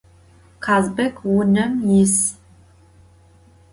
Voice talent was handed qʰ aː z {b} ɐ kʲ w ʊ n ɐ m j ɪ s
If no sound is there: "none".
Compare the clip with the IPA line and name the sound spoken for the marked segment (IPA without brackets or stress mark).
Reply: b